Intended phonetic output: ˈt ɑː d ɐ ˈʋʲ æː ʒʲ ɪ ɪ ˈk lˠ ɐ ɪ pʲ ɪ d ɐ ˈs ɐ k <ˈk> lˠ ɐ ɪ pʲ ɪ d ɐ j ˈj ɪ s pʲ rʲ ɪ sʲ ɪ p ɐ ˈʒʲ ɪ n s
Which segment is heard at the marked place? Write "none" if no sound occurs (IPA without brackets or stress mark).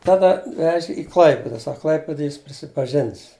k